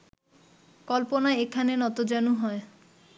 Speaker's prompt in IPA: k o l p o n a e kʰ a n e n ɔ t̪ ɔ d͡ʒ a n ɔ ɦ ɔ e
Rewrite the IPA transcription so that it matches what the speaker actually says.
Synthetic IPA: k ɔ l p o n a e kʰ a n e n ɔ t̪ o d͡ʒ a n u ɦ ɔ e